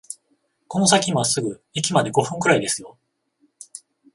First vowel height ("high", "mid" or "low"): mid